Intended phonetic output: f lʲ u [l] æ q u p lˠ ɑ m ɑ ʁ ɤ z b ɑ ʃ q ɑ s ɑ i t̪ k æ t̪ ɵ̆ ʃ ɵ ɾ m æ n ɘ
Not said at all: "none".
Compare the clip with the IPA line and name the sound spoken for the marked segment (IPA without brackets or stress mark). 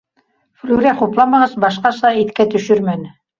ɾ